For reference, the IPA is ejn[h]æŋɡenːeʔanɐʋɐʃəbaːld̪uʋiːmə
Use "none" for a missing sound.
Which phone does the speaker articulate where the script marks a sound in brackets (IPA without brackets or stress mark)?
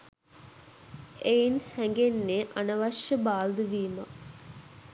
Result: h